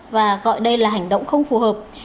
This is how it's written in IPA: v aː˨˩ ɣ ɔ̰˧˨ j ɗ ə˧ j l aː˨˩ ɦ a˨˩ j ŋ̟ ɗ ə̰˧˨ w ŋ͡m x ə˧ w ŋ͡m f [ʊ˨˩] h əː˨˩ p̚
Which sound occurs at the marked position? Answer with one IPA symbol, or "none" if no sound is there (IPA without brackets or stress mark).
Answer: u˨˩